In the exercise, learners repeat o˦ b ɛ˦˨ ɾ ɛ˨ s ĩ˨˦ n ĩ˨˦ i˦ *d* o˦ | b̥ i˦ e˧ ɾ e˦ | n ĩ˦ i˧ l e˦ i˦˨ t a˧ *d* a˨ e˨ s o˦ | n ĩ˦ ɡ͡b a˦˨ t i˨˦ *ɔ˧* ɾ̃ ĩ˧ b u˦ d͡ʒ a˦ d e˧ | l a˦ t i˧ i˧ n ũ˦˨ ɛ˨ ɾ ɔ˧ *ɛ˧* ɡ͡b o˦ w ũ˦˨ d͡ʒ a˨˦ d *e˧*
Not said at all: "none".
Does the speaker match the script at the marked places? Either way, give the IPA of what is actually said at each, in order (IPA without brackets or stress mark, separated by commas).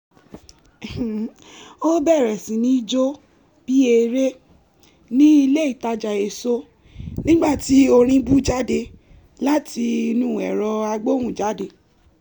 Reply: d͡ʒ, d͡ʒ, o˧, a˧, e˧